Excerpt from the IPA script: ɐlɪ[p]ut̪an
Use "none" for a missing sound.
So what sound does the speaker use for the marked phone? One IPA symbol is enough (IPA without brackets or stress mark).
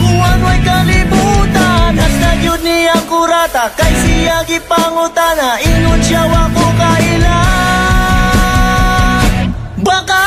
b